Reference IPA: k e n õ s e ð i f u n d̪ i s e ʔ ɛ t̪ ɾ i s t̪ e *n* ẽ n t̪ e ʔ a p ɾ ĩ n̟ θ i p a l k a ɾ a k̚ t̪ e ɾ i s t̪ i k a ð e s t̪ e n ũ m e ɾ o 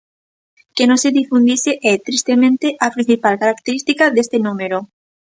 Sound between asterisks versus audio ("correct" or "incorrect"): incorrect